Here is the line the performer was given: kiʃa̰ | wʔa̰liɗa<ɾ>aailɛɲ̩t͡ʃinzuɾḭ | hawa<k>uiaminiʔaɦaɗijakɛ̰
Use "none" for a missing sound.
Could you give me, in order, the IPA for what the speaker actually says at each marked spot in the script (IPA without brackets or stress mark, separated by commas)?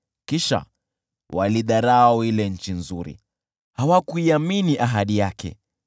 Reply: ɾ, k